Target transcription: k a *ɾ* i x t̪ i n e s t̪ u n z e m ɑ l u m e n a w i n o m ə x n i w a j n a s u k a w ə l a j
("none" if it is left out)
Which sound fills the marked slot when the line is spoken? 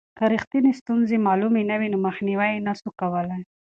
ɾ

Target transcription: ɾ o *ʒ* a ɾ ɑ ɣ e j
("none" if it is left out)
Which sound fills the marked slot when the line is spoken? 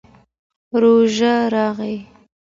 ʒ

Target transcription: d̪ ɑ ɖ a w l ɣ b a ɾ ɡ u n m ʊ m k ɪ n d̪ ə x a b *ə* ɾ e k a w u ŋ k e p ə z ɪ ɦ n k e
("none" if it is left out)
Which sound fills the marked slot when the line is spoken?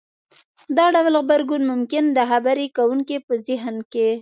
a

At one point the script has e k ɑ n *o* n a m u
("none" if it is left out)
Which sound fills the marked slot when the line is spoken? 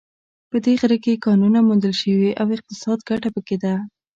u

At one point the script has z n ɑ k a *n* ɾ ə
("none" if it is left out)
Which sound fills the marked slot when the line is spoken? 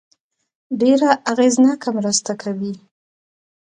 m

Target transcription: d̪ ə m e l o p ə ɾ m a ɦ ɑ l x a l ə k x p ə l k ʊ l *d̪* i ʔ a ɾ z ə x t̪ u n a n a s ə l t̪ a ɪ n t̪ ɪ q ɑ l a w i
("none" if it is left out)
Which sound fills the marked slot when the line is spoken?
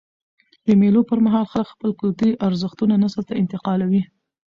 t̪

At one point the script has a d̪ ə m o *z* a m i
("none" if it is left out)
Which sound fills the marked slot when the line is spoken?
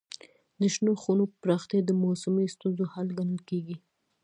s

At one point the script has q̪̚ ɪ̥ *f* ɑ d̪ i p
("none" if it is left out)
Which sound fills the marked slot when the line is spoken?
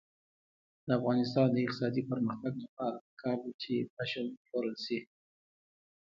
s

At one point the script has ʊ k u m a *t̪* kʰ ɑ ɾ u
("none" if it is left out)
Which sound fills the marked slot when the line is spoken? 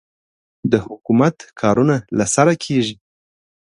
t̪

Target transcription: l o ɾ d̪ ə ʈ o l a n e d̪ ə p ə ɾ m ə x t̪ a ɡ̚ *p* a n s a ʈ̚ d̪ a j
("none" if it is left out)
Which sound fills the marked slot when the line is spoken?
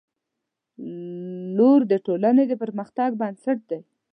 b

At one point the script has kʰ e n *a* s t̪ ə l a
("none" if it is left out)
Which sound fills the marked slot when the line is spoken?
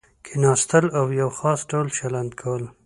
ɑ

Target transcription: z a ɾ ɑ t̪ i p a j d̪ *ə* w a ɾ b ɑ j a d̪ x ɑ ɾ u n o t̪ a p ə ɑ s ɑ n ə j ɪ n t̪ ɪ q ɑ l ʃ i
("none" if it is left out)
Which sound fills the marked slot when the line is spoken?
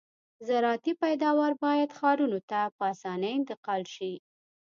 ɑ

